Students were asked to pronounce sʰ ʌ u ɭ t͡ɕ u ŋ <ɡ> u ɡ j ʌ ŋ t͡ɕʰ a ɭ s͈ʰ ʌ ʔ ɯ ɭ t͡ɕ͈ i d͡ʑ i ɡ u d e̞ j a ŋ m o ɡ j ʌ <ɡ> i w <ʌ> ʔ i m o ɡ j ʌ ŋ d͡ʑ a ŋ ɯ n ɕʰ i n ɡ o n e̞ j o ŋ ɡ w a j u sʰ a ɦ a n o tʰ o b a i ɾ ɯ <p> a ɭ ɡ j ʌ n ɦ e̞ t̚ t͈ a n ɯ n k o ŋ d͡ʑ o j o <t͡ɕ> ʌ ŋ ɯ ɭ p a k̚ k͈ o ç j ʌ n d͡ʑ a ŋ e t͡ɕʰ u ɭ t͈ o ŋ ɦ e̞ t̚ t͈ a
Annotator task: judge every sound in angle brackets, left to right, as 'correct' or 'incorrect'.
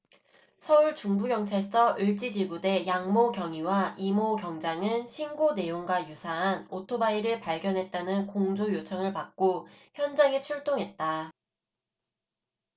incorrect: b, incorrect: ŋ, incorrect: a, correct, incorrect: t͡ɕʰ

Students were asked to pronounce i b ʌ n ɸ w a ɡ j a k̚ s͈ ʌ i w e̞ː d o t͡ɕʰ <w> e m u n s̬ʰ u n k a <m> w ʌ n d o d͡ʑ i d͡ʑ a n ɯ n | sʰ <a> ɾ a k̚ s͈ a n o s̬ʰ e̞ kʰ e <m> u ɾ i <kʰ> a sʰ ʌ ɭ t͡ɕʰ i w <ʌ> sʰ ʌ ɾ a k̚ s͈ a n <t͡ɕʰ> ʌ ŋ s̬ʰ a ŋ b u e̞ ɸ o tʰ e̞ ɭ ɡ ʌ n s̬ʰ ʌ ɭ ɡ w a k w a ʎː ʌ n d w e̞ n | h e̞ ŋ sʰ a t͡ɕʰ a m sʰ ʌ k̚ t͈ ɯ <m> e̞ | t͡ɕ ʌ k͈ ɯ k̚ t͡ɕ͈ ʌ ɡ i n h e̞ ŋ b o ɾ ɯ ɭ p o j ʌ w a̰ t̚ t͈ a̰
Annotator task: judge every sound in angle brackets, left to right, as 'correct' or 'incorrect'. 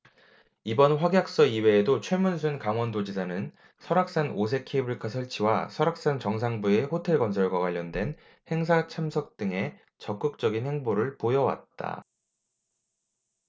correct, incorrect: ŋ, incorrect: ʌ, incorrect: b, correct, incorrect: a, incorrect: t͡ɕ, incorrect: ŋ

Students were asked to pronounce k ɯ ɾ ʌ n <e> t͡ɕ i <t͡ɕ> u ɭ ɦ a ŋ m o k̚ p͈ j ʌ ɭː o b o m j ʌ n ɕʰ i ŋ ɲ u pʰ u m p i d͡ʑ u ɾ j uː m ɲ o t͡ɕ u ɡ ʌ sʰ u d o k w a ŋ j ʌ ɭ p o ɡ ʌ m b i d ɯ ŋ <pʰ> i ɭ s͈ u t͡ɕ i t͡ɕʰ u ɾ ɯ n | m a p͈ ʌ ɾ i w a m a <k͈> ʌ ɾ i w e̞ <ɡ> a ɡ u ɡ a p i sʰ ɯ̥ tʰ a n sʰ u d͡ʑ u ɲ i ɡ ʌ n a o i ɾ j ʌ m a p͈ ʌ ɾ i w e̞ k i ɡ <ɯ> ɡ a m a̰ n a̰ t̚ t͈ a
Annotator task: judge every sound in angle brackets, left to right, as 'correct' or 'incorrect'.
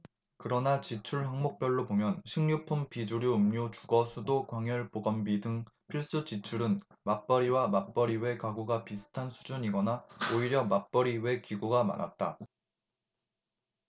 incorrect: a, incorrect: t͡ɕʰ, correct, incorrect: p͈, incorrect: k, incorrect: u

